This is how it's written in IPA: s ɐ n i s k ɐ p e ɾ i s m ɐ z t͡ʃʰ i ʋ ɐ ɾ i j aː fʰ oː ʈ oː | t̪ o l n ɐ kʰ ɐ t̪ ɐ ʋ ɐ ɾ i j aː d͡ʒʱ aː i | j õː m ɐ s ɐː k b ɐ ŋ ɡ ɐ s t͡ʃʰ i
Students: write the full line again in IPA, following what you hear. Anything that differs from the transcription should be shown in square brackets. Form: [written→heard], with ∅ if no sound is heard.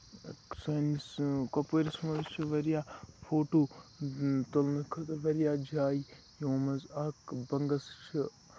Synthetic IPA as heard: s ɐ n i s k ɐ p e ɾ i s m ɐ z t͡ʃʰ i ʋ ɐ ɾ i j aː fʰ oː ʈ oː | t̪ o l n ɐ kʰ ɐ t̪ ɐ ʋ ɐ ɾ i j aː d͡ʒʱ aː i | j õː m ɐ [s→z] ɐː k b ɐ ŋ ɡ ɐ s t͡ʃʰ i

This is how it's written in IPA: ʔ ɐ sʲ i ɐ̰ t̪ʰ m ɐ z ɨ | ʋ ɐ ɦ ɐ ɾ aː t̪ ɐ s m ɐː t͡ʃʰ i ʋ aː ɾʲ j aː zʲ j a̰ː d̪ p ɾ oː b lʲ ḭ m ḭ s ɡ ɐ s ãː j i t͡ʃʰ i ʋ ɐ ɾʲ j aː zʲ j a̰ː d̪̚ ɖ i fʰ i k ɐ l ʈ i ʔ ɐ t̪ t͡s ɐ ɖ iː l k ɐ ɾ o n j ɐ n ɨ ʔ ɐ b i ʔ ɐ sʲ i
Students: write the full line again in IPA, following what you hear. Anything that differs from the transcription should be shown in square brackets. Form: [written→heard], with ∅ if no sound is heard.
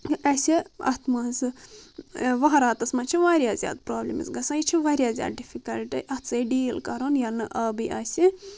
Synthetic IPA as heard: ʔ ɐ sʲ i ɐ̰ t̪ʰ m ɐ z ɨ | ʋ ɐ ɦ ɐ ɾ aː t̪ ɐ s m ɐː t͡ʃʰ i ʋ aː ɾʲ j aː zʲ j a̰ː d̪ p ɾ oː b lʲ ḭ m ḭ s ɡ ɐ s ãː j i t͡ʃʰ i ʋ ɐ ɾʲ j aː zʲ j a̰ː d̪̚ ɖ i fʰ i k ɐ l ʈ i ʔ ɐ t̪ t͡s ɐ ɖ iː l k ɐ ɾ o n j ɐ n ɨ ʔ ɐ b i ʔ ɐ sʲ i

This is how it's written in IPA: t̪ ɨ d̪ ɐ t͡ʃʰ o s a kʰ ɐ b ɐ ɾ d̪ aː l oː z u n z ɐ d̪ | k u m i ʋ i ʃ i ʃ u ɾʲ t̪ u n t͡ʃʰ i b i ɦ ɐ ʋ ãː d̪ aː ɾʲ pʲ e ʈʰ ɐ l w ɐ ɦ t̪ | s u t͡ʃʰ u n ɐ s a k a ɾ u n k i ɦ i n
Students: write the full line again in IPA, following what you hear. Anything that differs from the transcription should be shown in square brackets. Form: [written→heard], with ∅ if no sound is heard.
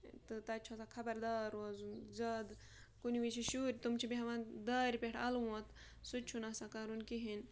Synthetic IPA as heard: t̪ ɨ [d̪→t̪] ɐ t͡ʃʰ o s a kʰ ɐ b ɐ ɾ d̪ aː [l→ɾ] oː z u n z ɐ d̪ | k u [m→n] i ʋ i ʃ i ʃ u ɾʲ t̪ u [n→m] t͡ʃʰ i b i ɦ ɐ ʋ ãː d̪ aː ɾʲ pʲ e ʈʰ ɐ l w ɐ [ɦ→∅] t̪ | s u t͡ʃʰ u n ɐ s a k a ɾ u n k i ɦ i n

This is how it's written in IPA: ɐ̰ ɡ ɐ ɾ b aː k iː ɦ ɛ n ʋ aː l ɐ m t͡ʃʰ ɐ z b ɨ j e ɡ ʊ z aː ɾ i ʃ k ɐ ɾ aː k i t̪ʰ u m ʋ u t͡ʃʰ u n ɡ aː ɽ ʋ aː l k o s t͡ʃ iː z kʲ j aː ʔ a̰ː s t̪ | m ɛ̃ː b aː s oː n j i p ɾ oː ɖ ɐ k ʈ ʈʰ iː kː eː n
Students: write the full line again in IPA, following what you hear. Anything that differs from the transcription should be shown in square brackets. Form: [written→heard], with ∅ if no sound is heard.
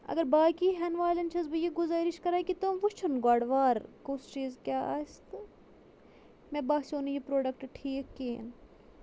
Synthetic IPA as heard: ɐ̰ ɡ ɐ ɾ b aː k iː ɦ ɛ n ʋ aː l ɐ [m→n] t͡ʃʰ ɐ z b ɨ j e ɡ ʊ z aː ɾ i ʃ k ɐ ɾ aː k i [t̪ʰ→t̪] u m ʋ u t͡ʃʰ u n ɡ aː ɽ ʋ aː [l→ɾ] k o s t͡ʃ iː z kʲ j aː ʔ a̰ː s t̪ | m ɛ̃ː b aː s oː n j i p ɾ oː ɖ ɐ k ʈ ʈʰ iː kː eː n

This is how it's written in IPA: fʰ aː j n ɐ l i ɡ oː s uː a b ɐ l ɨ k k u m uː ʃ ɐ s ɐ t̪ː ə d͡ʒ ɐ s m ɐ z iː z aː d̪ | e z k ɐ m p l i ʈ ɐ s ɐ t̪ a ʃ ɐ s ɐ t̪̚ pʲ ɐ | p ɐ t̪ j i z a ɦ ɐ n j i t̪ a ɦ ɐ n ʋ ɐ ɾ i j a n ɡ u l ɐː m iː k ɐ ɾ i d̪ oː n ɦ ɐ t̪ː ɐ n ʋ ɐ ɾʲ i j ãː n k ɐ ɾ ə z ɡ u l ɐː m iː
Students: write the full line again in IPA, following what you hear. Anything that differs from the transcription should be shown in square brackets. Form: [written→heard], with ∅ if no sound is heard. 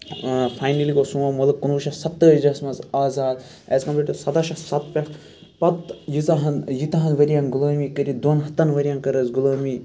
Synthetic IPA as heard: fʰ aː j n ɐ l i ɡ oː s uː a [b→m] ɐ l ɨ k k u [m→n] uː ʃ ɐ s ɐ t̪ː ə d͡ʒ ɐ s m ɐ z [iː→aː] z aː d̪ | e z k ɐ m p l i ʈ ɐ s ɐ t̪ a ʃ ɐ s ɐ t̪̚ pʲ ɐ | p ɐ t̪ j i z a ɦ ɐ n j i t̪ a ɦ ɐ n ʋ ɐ ɾ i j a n ɡ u l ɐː m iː k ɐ ɾ i d̪ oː n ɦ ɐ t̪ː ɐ n ʋ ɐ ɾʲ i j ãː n k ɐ ɾ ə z ɡ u l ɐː m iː

